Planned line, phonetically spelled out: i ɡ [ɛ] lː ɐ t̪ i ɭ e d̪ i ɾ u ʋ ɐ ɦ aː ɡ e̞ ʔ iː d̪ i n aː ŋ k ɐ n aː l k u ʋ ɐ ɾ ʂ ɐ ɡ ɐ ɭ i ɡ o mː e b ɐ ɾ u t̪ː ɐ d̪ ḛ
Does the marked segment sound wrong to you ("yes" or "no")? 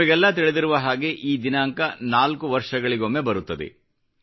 no